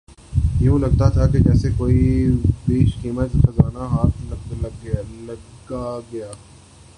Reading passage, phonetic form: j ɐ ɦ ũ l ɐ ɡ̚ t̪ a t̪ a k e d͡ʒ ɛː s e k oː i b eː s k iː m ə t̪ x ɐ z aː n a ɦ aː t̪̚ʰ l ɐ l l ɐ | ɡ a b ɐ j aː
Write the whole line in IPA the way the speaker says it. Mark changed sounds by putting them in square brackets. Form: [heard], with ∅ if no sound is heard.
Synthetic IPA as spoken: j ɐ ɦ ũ l ɐ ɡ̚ t̪ a [t̪ʰ] a k e d͡ʒ ɛː s e k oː i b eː [ʃ] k iː m ə t̪ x ɐ z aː n a ɦ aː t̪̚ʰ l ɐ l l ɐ | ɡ a [ɡ] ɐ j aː

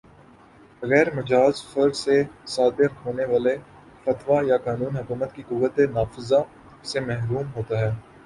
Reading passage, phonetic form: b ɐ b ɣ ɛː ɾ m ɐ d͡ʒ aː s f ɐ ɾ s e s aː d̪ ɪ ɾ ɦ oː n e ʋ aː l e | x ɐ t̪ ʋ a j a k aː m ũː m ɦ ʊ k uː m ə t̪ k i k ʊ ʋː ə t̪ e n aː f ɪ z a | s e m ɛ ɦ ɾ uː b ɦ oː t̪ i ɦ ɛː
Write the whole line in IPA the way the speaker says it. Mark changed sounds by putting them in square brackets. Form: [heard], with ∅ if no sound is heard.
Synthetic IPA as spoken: b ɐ [∅] ɣ ɛː ɾ m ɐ d͡ʒ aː [z] f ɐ ɾ s e s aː d̪ ɪ ɾ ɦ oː n e ʋ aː l e | [f] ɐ t̪ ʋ a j a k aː [n] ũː [n] ɦ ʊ k uː m ə t̪ k i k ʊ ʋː ə t̪ e n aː f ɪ z a | s e m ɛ ɦ ɾ uː [m] ɦ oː t̪ [a] ɦ ɛː

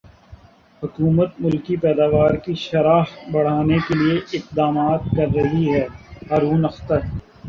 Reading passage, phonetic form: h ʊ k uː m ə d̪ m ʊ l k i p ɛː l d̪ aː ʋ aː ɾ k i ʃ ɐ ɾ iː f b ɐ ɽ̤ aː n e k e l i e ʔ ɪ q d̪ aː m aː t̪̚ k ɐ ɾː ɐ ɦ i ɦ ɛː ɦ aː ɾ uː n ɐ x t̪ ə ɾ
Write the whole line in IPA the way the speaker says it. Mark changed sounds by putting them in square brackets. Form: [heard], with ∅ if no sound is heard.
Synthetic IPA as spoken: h ʊ k uː m ə [t̪] m ʊ l k i p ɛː [∅] d̪ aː ʋ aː ɾ k i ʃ ɐ ɾ [aː] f b ɐ ɽ̤ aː n e k e l i e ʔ ɪ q d̪ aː m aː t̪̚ k ɐ ɾː ɐ ɦ i ɦ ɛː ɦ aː ɾ uː n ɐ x t̪ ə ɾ

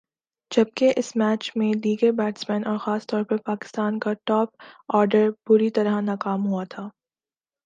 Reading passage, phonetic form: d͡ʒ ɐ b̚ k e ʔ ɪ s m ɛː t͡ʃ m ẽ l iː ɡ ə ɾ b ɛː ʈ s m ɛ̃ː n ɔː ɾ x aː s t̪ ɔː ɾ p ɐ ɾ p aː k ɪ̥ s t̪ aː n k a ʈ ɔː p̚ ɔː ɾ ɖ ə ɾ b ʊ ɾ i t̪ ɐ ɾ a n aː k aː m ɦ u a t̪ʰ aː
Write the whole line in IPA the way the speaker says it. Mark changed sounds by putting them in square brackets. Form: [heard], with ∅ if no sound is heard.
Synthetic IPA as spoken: d͡ʒ ɐ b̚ k e ʔ ɪ s m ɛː t͡ʃ m ẽ l iː ɡ ə ɾ b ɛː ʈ s m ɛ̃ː n ɔː ɾ x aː s t̪ ɔː ɾ p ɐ ɾ p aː k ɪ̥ s t̪ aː n k a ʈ ɔː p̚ ɔː ɾ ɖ ə ɾ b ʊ ɾ i t̪ ɐ ɾ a n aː k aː m ɦ u a t̪ʰ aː

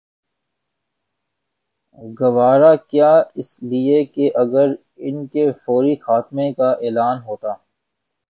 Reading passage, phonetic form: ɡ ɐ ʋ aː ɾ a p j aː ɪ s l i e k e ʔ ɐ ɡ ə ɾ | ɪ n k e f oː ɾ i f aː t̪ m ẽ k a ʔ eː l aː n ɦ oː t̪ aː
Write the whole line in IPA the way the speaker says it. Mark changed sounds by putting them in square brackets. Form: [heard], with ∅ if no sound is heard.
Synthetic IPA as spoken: ɡ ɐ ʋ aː ɾ a [k] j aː ɪ s l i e k e ʔ ɐ ɡ ə ɾ | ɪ n k e f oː ɾ i [x] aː t̪ m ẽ k a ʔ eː l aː n ɦ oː t̪ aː

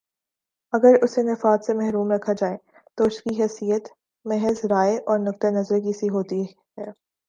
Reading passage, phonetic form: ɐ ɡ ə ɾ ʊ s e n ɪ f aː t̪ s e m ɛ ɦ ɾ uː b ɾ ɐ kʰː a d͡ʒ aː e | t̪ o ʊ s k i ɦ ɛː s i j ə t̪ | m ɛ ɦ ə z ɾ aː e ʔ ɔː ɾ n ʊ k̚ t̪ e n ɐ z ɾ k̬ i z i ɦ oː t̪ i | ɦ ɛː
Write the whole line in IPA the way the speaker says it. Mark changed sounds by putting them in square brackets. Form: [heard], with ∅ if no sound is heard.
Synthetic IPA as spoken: ɐ ɡ ə ɾ ʊ s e n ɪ f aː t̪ s e m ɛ ɦ ɾ uː [m] ɾ ɐ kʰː a d͡ʒ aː e | t̪ o ʊ s k i ɦ ɛː s i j ə t̪ | m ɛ ɦ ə z ɾ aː e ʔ ɔː ɾ n ʊ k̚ t̪ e n ɐ z ɾ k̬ i [s] i ɦ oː t̪ i | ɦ ɛː

